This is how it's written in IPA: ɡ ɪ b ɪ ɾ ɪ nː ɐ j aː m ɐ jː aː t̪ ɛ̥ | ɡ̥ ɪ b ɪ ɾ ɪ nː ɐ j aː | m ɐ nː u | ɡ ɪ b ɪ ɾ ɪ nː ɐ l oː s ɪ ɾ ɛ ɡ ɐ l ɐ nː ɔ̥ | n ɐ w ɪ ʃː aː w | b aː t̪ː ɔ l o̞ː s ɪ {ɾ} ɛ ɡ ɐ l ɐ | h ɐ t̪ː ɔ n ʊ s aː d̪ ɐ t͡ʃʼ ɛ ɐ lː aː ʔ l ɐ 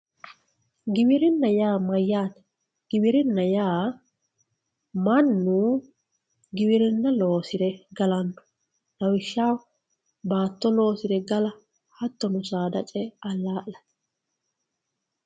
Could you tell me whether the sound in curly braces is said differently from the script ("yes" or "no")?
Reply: no